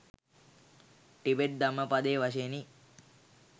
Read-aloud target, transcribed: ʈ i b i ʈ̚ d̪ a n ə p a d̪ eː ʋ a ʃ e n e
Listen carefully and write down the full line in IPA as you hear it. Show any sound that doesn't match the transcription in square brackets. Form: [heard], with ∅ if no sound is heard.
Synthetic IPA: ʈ i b [e] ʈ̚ d̪ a [m] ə p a d̪ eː ʋ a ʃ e n [i]